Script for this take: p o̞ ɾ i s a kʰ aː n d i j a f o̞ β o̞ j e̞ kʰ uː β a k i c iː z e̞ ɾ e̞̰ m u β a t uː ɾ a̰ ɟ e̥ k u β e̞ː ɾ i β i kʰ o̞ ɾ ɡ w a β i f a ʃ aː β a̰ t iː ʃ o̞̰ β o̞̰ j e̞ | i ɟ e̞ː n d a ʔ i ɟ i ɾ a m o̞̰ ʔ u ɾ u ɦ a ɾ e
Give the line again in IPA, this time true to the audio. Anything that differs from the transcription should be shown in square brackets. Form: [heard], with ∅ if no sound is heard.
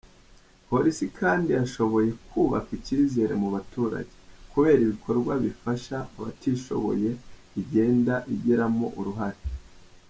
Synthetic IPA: p o̞ ɾ i s [i] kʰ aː n d i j a [ʃ] o̞ β o̞ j e̞ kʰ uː β a k i c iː z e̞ ɾ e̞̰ m u β a t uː ɾ a̰ ɟ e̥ k u β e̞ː ɾ i β i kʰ o̞ ɾ ɡ w a β i f a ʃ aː β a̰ t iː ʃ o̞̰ β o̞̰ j e̞ | i ɟ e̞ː n d a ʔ i ɟ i ɾ a m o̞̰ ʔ u ɾ u ɦ a ɾ e